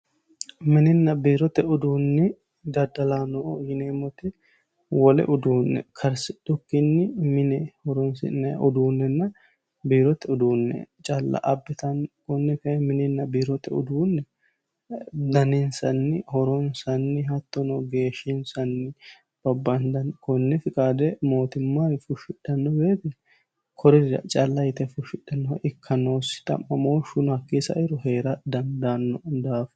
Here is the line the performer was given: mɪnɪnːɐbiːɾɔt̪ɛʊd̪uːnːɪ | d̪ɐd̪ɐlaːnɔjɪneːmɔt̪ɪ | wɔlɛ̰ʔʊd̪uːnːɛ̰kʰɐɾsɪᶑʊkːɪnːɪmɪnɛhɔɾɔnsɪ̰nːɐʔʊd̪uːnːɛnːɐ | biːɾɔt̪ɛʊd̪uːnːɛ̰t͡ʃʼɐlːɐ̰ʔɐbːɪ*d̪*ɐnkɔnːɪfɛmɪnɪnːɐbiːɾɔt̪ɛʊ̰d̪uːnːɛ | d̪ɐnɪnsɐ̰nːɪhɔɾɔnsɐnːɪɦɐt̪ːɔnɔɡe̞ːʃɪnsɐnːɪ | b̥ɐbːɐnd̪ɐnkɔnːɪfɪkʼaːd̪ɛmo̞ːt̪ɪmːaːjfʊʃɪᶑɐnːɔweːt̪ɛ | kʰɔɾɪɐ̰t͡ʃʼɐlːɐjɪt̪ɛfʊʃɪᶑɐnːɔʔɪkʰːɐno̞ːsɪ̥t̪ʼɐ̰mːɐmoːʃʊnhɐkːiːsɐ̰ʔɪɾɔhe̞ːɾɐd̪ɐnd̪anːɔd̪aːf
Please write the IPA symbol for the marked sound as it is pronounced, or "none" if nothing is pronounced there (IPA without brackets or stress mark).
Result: t̪